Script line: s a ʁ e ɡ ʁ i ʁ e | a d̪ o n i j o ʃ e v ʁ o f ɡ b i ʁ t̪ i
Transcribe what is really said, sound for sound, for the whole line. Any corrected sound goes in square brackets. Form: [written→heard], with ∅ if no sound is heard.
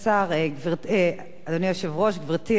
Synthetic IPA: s a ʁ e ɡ [ʁ→v] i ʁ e | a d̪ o n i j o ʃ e v ʁ o [f→ʃ] ɡ [b→v] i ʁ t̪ i

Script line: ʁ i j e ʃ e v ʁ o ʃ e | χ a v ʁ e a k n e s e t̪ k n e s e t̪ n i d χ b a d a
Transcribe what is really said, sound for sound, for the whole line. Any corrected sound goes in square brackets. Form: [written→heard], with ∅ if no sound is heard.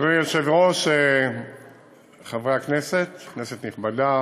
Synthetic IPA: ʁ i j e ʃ e v ʁ o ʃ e | χ a v ʁ e a k n e s e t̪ k n e s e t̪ n i [d→∅] χ b a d a

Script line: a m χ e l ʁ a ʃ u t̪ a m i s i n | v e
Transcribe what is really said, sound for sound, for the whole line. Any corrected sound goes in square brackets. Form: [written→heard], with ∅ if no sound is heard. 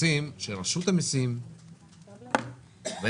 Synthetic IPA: [a→i] m [χ→ʃ] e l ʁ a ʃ u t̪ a m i s i [n→m] | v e

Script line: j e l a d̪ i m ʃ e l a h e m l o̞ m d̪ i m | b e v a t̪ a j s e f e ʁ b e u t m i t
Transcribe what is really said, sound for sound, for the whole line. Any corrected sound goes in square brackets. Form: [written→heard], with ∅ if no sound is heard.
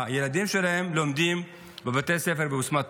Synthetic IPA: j e l a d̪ i m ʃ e l a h e m l o̞ m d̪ i m | b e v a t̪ [a→e] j s e f e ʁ b e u [t→s] m [i→a] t

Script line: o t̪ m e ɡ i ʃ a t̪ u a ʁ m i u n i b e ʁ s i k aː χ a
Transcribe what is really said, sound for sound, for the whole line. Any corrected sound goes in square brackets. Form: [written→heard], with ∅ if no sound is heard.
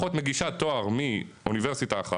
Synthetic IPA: o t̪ m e ɡ i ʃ a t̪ [u→o] a ʁ m i u n i [b→v] e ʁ s i [k→t] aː χ a

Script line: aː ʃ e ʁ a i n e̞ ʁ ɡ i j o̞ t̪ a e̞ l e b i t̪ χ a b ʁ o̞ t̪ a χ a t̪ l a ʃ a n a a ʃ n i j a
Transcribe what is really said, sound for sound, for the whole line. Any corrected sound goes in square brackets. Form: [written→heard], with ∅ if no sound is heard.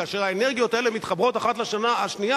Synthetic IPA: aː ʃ e ʁ a [i→e] n e̞ ʁ ɡ i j o̞ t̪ a e̞ l e [b→m] i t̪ χ a b ʁ o̞ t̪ a χ a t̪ l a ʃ a n a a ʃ n i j a

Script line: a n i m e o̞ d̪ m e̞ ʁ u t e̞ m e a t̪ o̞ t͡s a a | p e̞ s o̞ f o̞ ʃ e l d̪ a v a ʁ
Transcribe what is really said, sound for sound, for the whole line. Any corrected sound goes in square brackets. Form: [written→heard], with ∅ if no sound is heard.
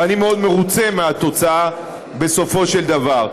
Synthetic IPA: a n i m e o̞ d̪ m e̞ ʁ u [t→t͡s] e̞ m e a t̪ o̞ t͡s a a | [p→b] e̞ s o̞ f o̞ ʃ e l d̪ a v a ʁ

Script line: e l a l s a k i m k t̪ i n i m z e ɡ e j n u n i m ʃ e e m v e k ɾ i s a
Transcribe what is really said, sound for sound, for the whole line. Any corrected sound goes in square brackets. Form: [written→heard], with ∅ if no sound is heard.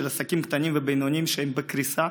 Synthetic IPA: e l a [l→∅] s a k i m k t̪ [i→a] n i m [z→v] e [ɡ→b] e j n [u→o] n i m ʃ e e m [v→b] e k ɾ i s a

